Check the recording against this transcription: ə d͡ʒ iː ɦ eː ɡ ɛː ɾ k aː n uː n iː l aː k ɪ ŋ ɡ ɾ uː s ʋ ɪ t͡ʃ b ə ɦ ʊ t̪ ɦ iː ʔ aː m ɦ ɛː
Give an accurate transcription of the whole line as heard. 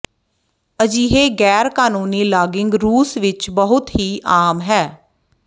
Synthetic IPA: ə d͡ʒ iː ɦ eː ɡ ɛː ɾ k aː n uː n iː l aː ɡ ɪ ŋ ɡ ɾ uː s ʋ ɪ t͡ʃ b ə ɦ ʊ t̪ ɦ iː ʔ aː m ɦ ɛː